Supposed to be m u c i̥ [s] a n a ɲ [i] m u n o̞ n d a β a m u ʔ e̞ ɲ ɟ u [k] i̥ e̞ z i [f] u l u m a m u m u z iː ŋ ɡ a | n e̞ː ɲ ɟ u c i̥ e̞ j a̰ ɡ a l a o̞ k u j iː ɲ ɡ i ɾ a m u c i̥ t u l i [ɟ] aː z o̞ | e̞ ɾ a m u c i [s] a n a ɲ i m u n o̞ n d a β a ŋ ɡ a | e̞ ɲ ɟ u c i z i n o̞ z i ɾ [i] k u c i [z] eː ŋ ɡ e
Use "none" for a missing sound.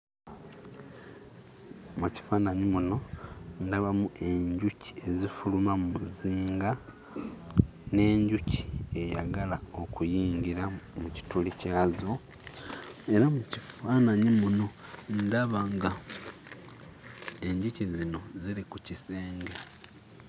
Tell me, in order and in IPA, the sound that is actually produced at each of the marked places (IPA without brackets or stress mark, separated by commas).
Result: f, i, c, f, c, f, i, s